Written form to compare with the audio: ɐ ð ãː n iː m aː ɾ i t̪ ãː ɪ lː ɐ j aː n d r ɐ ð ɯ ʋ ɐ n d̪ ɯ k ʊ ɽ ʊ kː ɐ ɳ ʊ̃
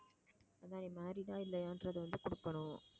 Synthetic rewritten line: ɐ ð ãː n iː m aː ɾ i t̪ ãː ɪ lː ɐ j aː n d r ɐ ð ɯ ʋ ɐ n d̪ ɯ k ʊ ɽ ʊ kː ɐ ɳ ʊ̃